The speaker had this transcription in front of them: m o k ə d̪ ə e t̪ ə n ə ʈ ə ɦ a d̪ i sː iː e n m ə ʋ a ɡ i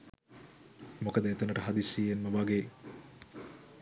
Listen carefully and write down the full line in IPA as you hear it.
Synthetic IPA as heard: m o k ə d̪ ə e t̪ ə n ə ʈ ə ɦ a d̪ i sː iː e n m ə ʋ a ɡ e